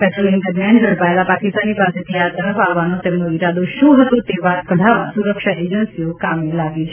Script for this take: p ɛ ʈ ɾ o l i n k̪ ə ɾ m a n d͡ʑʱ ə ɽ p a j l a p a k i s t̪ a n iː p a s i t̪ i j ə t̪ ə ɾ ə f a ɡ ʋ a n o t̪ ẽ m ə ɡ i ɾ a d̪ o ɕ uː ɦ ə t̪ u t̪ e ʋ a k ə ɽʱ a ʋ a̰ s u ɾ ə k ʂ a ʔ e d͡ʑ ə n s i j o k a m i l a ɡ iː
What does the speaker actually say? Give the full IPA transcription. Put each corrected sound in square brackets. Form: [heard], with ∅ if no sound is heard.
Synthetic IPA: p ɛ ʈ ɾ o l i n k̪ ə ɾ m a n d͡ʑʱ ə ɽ p a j l a p a k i s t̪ a n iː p a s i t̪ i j [a] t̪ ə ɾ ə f a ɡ ʋ a n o t̪ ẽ m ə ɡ i ɾ a d̪ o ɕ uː ɦ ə t̪ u t̪ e ʋ a k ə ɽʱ a ʋ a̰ s u ɾ ə k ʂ a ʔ e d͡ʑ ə n s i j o k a m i l a ɡ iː